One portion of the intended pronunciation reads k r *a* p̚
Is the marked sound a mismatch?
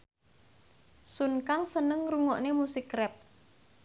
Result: yes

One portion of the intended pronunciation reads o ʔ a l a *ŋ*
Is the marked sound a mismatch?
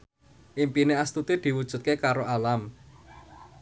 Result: yes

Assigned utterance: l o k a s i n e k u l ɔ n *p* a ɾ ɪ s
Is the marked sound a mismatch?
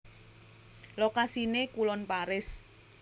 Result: no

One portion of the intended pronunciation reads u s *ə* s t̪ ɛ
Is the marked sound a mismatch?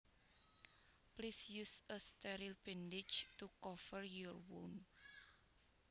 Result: no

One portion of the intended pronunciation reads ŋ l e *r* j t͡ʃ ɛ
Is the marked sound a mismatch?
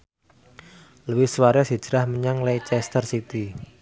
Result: yes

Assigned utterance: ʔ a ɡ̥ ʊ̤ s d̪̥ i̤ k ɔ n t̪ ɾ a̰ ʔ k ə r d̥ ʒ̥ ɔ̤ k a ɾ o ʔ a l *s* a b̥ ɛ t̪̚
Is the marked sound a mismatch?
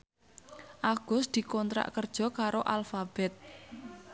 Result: yes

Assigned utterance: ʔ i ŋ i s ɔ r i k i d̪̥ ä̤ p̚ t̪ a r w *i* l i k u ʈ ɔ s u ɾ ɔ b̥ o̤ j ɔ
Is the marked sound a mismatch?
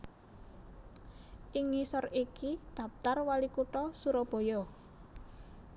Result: yes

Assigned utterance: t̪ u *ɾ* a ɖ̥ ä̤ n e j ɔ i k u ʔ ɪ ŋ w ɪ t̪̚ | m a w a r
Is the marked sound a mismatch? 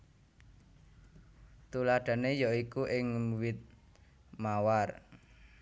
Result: yes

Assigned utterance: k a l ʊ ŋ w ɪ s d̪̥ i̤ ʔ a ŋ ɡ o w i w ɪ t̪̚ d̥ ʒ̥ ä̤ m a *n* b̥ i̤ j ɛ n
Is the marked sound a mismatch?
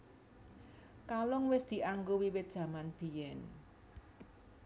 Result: no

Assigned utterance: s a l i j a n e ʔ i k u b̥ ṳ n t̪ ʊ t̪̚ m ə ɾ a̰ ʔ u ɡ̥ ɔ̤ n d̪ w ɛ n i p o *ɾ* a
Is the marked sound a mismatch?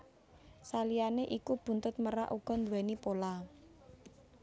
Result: yes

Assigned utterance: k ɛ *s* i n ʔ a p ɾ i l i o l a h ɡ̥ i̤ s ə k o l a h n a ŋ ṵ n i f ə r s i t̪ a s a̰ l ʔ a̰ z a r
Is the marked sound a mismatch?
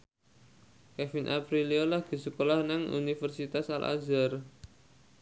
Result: yes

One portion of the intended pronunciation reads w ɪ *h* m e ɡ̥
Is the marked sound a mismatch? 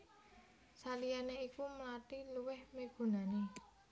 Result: no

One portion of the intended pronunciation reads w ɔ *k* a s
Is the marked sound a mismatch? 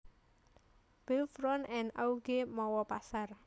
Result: yes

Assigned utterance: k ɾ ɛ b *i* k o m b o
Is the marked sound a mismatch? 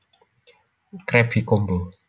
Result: no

